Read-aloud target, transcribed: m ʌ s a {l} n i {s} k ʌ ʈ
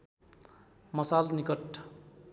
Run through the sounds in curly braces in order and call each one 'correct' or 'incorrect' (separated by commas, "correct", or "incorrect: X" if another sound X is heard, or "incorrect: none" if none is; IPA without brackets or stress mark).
correct, incorrect: none